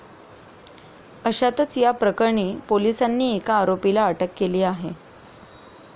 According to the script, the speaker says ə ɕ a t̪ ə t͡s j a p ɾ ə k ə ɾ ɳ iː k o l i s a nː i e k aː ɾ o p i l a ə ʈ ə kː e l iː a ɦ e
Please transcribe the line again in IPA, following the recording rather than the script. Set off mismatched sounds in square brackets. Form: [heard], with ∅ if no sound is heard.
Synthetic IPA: ə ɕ a t̪ ə t͡s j a p ɾ ə k ə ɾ ɳ iː [p] o l i s a nː [iː] e k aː ɾ o p i l a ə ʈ ə kː e l iː a ɦ e